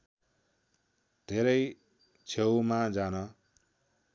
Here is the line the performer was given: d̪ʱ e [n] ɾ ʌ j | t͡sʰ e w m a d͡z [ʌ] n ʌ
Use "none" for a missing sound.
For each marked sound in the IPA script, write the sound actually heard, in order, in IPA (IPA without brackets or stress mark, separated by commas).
none, a